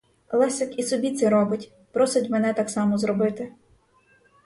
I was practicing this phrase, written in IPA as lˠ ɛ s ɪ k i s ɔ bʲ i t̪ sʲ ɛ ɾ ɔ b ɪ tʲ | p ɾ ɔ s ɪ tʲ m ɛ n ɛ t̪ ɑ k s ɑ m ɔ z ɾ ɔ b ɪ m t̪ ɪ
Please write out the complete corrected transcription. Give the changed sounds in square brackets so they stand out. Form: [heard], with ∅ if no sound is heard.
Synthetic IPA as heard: lˠ ɛ s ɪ k i s ɔ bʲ i t̪ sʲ ɛ ɾ ɔ b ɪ tʲ | p ɾ ɔ s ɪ tʲ m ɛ n ɛ t̪ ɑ k s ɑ m ɔ z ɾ ɔ b ɪ [∅] t̪ ɪ